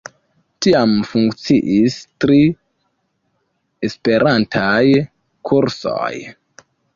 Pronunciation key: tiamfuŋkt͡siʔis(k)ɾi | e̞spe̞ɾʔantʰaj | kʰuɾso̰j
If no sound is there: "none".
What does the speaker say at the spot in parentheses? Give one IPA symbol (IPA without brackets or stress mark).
t